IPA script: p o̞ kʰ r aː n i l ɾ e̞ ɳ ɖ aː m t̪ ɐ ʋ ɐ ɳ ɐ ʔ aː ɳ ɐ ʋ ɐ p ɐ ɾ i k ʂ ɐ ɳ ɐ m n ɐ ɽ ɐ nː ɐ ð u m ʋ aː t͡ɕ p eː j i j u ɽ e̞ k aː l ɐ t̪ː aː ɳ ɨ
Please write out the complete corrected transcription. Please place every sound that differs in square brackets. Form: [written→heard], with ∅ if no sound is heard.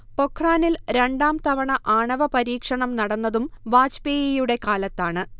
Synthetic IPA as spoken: p o̞ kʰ r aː n i l ɾ e̞ ɳ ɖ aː m t̪ ɐ ʋ ɐ ɳ ɐ ʔ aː ɳ ɐ ʋ ɐ p ɐ ɾ [i→iː] k ʂ ɐ ɳ ɐ m n ɐ ɽ ɐ nː ɐ ð u m ʋ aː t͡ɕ p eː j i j u ɽ e̞ k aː l ɐ t̪ː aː ɳ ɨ